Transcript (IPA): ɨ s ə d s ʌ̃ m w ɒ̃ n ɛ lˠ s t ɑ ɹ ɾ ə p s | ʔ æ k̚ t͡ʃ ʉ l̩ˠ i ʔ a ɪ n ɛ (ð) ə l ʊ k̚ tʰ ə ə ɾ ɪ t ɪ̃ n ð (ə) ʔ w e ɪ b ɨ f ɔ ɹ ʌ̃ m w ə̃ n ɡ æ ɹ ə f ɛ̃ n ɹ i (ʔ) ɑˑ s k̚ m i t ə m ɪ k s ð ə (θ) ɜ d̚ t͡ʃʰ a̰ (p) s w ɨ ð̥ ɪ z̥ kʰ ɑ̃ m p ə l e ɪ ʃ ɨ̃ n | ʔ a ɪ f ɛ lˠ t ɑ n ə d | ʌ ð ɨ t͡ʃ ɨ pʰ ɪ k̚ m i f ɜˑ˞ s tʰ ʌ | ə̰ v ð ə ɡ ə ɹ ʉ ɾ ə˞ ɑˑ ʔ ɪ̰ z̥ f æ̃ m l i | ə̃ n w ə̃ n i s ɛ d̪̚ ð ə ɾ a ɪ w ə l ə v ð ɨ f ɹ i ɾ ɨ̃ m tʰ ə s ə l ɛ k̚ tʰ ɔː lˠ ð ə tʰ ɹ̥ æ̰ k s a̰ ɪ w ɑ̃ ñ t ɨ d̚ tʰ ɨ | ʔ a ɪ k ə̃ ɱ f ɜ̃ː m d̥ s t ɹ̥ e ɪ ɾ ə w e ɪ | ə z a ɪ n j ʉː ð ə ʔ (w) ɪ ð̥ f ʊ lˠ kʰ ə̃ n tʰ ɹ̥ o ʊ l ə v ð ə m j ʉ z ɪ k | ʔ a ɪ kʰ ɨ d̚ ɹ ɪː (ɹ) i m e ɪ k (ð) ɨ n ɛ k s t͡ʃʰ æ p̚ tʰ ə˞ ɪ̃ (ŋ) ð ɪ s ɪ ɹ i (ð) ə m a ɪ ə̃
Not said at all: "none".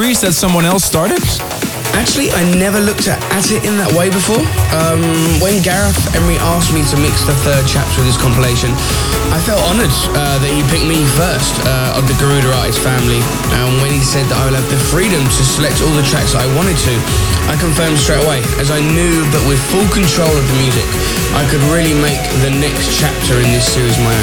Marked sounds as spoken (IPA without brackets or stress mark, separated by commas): v, ə, ʔ, θ, p, w, l, ð, n, z